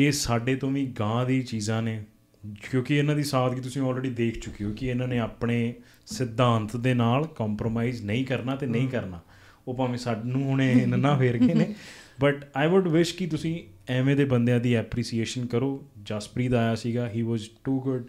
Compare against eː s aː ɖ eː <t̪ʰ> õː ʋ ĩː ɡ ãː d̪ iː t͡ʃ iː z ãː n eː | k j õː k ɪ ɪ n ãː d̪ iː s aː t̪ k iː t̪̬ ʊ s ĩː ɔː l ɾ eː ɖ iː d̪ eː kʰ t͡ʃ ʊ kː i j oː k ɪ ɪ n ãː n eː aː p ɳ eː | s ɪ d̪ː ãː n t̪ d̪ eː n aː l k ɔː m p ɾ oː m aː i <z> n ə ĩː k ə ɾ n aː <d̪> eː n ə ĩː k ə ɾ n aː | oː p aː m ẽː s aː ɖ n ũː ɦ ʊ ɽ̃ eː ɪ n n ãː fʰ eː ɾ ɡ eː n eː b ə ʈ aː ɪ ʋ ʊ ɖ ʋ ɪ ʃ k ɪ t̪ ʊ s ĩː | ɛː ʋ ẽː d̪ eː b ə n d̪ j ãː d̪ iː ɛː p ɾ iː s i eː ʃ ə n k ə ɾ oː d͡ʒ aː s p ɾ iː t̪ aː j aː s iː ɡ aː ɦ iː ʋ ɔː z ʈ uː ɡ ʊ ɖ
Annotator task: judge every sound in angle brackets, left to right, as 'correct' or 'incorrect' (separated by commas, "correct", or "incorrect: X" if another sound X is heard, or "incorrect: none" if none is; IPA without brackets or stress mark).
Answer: incorrect: t̪, correct, incorrect: t̪